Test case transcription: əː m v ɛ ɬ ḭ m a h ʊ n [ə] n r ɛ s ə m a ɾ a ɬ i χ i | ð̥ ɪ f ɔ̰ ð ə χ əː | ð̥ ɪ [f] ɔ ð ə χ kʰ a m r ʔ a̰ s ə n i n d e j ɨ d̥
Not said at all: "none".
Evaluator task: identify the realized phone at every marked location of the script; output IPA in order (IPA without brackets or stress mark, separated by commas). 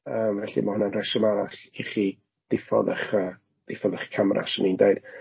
a, f